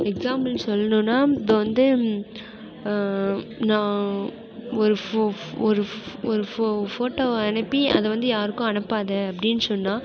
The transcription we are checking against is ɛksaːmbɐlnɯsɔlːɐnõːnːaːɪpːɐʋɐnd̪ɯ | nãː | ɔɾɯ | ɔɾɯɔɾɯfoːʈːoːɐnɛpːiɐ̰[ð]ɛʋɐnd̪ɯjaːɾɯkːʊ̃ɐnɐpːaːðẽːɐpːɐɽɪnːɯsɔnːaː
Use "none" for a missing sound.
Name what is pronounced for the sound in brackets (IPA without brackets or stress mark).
ð